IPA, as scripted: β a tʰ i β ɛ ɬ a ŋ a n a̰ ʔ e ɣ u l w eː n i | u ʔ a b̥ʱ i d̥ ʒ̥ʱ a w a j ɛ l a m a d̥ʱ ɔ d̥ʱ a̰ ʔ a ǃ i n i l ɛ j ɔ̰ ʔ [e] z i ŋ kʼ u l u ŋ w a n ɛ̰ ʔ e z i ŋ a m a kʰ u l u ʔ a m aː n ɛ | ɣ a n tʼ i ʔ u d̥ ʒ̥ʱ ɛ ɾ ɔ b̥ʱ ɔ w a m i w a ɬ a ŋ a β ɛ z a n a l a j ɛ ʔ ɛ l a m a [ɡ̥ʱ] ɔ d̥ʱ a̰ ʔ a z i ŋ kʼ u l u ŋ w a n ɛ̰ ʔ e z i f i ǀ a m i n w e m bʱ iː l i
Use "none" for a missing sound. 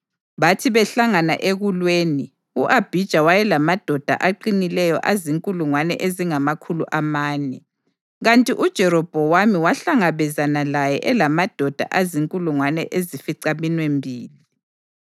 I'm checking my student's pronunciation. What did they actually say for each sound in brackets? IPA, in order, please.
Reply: a, d̥ʱ

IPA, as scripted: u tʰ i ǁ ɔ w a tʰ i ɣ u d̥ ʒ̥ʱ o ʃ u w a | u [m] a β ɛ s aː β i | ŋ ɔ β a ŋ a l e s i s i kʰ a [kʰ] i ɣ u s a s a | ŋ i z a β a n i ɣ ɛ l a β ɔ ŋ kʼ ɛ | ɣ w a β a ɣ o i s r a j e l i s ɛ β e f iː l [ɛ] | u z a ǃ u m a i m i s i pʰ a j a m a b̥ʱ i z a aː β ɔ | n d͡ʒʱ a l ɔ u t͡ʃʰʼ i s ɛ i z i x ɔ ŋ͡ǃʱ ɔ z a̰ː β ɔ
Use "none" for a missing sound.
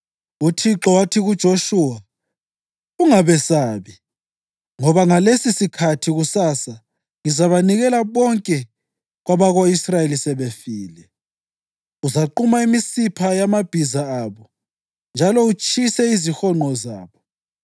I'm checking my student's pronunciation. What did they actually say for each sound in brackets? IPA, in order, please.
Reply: ŋ, tʰ, ɛ

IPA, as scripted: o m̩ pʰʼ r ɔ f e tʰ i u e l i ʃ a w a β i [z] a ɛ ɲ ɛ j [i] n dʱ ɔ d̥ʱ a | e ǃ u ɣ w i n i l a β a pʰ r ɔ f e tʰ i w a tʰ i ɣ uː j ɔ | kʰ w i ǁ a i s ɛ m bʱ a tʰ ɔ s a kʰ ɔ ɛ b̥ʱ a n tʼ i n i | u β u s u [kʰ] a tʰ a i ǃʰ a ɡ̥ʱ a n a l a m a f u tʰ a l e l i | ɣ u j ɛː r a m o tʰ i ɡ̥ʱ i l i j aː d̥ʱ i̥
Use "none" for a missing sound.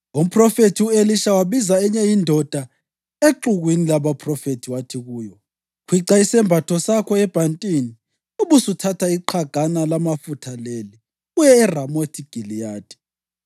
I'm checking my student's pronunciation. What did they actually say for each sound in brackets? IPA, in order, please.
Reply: z, i, tʰ

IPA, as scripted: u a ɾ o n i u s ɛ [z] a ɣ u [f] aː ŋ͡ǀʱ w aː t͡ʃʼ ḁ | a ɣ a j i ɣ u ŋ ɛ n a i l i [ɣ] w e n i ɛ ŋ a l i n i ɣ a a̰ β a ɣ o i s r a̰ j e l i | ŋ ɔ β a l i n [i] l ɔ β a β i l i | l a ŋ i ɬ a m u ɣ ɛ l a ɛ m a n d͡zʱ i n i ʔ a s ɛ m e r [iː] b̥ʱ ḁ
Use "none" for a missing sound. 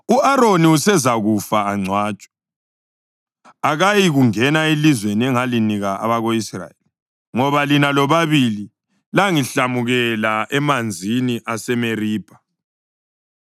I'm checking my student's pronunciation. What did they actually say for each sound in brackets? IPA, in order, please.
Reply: z, f, z, a, iː

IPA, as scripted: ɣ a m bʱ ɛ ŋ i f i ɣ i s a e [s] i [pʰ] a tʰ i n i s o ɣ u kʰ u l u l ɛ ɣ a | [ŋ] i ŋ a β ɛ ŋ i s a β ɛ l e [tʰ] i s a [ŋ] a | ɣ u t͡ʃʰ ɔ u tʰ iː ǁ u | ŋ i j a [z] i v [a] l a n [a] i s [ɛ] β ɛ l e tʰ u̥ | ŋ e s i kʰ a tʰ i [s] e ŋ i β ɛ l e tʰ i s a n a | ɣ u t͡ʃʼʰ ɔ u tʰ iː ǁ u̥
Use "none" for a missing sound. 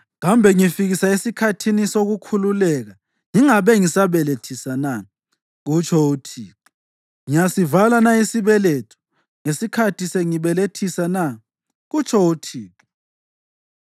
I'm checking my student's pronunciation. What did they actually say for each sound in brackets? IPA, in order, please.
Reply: s, kʰ, ŋ, tʰ, n, s, a, a, i, s

